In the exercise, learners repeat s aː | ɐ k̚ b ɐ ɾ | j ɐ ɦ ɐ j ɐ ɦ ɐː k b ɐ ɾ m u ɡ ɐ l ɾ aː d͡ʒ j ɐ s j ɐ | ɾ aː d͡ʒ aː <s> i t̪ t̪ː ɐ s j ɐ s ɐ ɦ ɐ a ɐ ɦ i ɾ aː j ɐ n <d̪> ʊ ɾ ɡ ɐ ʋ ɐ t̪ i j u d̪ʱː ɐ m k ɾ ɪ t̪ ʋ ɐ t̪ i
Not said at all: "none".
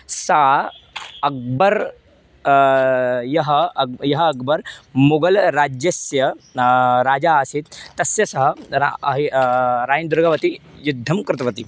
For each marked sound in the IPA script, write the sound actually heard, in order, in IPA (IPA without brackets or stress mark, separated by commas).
s, d̪